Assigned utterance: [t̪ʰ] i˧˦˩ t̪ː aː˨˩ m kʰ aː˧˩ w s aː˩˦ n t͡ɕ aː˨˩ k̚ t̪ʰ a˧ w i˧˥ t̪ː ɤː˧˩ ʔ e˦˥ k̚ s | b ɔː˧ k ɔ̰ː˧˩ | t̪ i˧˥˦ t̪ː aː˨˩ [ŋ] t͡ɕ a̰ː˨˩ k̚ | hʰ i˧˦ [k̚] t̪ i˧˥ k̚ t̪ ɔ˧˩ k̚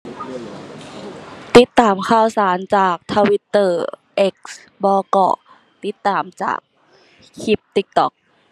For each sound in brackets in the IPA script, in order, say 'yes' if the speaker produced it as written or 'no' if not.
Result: no, no, no

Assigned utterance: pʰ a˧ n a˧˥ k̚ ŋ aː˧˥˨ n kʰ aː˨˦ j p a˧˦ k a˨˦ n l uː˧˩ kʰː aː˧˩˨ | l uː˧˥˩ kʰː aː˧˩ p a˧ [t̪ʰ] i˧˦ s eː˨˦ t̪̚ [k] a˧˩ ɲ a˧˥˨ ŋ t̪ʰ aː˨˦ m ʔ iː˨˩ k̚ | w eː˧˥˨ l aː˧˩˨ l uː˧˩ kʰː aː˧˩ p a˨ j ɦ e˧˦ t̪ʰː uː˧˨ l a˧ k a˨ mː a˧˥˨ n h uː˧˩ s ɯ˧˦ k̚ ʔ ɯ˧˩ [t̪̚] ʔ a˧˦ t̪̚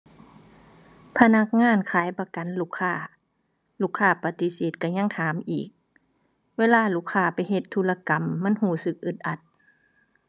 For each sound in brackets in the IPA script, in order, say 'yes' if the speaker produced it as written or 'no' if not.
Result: no, yes, yes

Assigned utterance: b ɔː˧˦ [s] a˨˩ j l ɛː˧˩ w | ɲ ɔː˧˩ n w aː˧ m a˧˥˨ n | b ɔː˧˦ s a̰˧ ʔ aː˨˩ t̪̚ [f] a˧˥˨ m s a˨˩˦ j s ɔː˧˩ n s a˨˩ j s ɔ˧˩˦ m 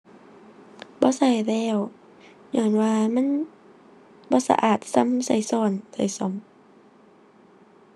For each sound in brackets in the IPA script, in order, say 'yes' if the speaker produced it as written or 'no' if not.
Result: yes, no

